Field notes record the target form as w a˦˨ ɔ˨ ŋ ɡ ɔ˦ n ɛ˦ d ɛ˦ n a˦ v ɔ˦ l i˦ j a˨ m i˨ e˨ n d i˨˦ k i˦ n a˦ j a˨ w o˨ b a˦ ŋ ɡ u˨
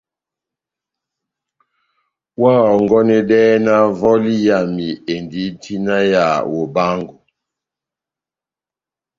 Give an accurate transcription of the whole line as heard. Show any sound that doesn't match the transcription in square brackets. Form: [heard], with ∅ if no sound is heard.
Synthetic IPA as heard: w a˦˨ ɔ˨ ŋ ɡ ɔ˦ n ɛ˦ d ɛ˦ n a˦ v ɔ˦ l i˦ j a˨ m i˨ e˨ n d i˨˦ [t] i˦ n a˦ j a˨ w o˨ b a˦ ŋ ɡ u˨